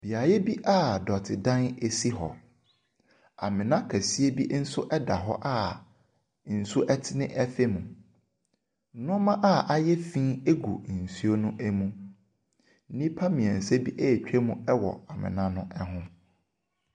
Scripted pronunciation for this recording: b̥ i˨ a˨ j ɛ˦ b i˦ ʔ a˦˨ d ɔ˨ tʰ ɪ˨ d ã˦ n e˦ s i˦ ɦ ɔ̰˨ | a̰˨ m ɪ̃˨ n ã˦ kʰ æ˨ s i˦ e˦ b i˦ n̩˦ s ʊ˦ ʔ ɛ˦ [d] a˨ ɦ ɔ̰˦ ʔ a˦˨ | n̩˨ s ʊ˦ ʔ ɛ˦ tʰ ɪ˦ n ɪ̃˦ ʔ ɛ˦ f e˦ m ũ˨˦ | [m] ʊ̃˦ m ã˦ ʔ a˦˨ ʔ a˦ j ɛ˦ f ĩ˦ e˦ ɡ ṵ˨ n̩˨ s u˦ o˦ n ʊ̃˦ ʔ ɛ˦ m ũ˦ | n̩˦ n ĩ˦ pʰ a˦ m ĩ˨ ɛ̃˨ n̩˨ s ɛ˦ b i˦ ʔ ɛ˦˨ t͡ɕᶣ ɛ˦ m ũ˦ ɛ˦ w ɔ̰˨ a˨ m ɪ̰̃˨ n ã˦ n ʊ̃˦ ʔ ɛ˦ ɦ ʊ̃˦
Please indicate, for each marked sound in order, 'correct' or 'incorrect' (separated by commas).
correct, incorrect